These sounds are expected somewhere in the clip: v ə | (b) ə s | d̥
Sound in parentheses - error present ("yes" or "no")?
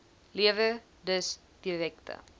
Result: yes